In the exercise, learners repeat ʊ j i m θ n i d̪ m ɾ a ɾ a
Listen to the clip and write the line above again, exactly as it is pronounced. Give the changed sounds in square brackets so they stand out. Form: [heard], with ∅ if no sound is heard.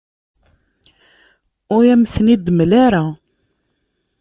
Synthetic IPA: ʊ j [æ] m θ n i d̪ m [l] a ɾ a